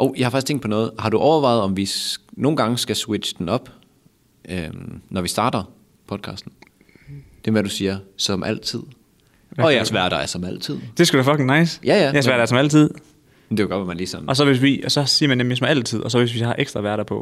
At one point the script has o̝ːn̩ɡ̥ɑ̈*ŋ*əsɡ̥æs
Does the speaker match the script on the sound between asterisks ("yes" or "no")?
yes